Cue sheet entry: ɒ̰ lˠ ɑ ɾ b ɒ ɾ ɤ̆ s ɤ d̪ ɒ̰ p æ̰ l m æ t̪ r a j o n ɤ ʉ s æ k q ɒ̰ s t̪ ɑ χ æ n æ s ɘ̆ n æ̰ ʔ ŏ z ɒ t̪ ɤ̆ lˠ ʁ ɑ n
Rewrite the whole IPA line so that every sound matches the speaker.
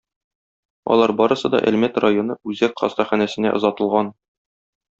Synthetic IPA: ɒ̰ lˠ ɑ ɾ b ɒ ɾ ɤ̆ s ɤ d̪ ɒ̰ ʔ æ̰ l m æ t̪ r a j o n ɤ ʉ z æ k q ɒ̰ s t̪ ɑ χ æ n æ s ɘ̆ n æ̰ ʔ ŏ z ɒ t̪ ɤ̆ lˠ ʁ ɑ n